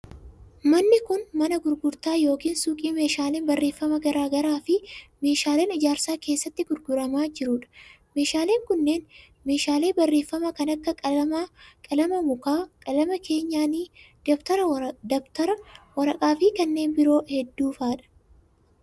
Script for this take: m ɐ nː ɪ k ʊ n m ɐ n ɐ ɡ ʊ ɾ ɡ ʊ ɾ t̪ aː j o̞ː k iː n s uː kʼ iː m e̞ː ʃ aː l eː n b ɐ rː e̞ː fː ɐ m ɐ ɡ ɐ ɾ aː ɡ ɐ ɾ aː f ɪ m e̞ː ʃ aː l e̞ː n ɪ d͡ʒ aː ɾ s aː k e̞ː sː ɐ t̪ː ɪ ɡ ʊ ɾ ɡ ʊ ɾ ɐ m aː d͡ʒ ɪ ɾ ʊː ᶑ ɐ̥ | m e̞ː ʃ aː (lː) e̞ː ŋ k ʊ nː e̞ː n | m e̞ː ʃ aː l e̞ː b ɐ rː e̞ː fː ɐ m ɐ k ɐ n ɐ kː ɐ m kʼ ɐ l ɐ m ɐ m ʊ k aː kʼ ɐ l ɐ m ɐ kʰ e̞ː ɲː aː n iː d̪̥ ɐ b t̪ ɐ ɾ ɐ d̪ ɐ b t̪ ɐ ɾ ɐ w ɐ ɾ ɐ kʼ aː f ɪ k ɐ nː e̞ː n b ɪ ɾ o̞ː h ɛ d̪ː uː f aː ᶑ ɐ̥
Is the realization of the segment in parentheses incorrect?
yes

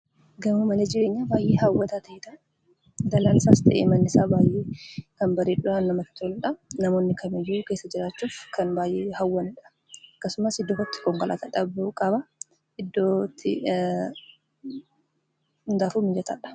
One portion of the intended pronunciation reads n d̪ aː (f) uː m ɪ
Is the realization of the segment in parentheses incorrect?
no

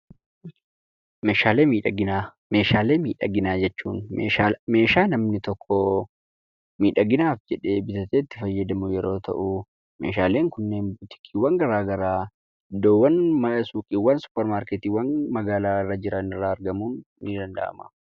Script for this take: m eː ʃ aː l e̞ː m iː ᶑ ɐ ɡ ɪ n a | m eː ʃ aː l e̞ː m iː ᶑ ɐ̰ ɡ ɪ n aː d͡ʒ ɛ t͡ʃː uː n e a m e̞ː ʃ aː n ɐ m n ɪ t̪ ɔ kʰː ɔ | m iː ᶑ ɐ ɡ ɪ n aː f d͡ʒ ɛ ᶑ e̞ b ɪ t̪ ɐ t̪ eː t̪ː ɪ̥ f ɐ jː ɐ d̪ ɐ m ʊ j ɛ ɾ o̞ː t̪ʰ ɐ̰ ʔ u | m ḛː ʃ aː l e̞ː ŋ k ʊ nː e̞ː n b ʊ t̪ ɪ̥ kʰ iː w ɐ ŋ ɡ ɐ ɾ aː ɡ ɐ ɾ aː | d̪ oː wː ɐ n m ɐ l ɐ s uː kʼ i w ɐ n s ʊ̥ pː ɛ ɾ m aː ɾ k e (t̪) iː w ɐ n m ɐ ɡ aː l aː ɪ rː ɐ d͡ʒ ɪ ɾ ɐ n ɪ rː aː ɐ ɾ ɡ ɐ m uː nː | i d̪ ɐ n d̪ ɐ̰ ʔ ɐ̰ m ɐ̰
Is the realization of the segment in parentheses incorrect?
no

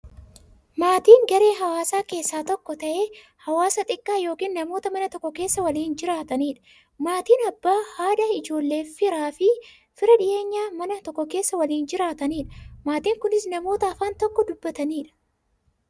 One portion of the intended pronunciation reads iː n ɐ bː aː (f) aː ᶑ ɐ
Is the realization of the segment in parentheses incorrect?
yes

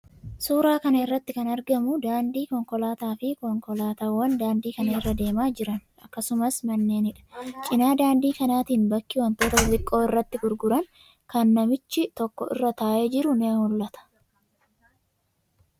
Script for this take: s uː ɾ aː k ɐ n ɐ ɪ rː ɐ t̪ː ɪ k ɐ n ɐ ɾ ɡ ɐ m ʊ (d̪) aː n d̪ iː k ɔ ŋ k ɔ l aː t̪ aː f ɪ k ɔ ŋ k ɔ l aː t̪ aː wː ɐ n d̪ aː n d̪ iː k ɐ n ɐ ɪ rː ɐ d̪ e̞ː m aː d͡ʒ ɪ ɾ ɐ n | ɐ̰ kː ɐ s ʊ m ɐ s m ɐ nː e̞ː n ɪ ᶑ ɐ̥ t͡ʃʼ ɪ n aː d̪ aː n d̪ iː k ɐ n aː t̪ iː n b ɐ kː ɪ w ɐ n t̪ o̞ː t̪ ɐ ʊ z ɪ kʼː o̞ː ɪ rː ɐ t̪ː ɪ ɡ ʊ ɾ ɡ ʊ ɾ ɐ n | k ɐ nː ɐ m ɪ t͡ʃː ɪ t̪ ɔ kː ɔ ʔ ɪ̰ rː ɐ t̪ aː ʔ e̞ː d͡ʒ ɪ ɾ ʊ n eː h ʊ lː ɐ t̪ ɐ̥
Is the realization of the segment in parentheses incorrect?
no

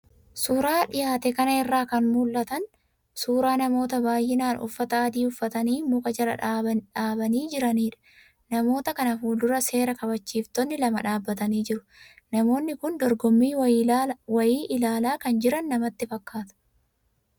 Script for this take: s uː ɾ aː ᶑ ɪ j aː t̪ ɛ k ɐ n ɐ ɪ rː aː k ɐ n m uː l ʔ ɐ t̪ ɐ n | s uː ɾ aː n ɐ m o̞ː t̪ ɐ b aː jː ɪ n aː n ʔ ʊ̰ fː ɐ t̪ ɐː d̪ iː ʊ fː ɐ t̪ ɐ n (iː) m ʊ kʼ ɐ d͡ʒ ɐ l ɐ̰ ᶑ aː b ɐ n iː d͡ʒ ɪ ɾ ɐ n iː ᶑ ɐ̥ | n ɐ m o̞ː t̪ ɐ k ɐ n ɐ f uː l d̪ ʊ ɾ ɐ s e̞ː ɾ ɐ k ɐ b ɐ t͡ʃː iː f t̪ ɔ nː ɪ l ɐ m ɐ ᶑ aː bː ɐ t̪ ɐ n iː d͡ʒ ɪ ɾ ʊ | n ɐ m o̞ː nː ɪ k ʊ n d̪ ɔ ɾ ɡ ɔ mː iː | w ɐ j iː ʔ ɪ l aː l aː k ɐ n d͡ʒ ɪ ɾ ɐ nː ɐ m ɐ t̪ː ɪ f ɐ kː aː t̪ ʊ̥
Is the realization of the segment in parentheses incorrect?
no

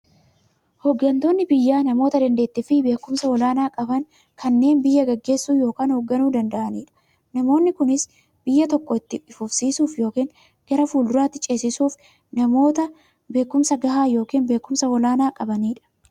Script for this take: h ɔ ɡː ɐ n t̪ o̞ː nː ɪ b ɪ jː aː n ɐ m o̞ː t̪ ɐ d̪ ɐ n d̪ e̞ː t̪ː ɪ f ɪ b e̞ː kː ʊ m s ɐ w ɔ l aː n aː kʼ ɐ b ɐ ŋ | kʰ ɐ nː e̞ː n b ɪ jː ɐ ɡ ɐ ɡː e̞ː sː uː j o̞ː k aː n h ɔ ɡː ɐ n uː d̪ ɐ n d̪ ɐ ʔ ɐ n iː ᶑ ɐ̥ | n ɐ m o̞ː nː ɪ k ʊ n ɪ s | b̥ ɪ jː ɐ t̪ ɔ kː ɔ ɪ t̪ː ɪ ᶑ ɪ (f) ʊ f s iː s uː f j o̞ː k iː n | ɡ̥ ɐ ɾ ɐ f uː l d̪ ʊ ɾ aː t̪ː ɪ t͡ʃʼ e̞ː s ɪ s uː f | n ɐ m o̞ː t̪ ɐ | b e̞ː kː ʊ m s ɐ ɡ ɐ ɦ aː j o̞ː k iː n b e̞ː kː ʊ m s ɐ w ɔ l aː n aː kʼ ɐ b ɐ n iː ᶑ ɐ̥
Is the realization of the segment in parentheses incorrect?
no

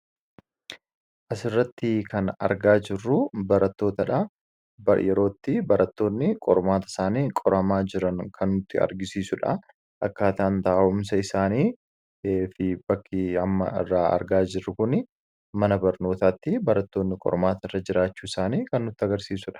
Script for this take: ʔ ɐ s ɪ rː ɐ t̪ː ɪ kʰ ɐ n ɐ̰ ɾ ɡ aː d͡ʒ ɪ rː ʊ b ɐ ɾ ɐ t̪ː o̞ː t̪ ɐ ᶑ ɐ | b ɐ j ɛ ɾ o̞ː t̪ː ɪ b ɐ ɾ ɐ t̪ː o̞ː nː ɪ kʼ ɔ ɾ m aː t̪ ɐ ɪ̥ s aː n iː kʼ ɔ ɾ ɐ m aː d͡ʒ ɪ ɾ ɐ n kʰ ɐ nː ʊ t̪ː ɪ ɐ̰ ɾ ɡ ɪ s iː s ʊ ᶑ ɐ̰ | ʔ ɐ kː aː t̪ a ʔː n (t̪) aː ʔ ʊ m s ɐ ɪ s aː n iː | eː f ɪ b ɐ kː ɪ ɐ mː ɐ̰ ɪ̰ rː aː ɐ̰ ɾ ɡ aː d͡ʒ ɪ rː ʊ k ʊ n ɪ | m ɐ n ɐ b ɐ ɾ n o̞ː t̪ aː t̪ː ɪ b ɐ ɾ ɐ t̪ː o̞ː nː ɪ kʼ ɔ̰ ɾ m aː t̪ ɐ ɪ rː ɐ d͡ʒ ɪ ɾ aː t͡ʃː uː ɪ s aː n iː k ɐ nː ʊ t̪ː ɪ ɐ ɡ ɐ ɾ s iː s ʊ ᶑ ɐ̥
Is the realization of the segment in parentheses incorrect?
no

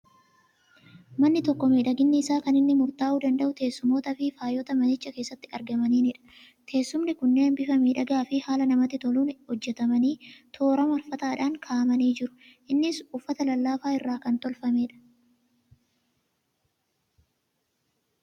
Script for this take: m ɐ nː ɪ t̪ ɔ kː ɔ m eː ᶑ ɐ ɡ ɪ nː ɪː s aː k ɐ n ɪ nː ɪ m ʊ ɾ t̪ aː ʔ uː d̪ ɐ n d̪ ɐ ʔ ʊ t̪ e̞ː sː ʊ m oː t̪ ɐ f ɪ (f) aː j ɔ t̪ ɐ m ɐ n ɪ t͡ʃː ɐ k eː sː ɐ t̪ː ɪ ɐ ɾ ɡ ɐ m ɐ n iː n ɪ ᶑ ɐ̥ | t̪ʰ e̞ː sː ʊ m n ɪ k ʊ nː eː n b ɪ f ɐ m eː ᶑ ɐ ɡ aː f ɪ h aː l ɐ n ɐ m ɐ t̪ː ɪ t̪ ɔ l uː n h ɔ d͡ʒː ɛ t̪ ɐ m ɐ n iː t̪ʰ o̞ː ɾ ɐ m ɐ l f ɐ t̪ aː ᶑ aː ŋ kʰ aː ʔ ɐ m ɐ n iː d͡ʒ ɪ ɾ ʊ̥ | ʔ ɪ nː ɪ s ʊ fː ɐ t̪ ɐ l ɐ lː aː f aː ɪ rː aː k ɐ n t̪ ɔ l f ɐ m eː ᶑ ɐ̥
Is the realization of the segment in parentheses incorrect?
no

